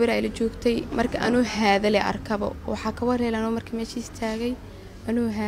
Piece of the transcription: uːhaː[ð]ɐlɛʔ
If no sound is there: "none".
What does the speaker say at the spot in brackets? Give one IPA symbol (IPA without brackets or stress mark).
ð